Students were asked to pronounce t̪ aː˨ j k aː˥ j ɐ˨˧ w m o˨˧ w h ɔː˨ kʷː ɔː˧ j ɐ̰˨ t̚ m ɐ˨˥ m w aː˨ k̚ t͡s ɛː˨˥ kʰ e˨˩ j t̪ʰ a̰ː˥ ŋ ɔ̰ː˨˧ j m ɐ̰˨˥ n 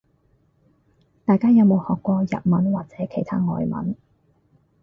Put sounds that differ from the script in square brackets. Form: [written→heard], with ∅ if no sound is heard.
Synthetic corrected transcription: t̪ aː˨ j k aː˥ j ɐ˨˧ w m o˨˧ w h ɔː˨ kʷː ɔː˧ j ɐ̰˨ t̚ m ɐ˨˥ [m→n] w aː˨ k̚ t͡s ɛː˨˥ kʰ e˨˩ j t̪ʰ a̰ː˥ ŋ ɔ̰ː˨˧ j m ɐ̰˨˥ n